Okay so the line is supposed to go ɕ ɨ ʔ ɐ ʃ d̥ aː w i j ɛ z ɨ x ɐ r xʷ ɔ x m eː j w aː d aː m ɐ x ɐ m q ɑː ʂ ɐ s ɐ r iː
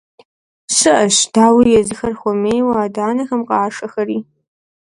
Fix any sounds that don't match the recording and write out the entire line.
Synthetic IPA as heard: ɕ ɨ ʔ ɐ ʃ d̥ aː w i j ɛ z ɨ x ɐ r xʷ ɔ m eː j w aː d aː n ɐ x ɐ m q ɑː ʂ ɐ x ɐ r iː